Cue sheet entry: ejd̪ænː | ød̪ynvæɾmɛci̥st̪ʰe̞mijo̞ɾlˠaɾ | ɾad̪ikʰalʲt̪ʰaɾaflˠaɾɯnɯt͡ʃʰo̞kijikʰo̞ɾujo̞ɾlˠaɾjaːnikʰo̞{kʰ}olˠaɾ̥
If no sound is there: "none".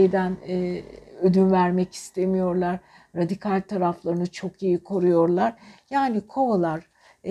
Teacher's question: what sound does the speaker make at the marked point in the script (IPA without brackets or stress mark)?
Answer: none